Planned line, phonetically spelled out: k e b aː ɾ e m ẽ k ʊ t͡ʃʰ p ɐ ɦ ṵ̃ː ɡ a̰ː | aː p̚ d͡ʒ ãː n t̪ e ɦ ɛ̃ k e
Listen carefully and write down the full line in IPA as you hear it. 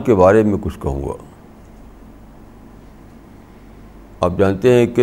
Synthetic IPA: k e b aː ɾ e m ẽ k ʊ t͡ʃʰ k ɐ ɦ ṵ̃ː ɡ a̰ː | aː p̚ d͡ʒ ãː n t̪ e ɦ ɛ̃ k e